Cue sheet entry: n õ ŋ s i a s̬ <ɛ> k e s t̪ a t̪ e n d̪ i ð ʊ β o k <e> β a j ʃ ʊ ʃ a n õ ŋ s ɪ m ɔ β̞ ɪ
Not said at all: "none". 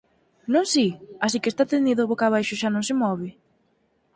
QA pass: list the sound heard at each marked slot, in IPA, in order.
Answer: i, a

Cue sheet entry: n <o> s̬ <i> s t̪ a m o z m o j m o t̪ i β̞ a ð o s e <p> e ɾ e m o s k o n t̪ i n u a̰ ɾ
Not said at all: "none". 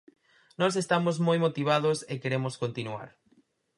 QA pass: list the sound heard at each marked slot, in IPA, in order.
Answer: ɔ, e, k

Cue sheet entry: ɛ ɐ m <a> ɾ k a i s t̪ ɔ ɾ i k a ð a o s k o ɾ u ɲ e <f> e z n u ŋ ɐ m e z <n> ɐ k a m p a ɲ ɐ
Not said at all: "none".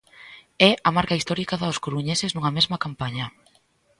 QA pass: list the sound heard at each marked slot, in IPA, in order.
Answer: a, s, m

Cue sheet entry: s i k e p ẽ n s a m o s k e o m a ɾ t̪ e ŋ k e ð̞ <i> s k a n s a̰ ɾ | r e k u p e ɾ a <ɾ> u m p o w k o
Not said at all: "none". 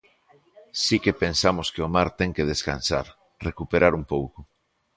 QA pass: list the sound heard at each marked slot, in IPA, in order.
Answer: e, ɾ

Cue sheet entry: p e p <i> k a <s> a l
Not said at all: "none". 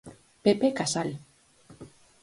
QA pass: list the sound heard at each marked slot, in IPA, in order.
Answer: e, s

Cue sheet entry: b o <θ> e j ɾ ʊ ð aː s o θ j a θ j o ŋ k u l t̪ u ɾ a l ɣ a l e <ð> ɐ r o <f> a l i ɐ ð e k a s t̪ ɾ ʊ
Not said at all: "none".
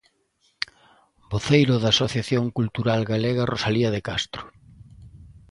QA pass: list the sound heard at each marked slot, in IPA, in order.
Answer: θ, ɣ, s

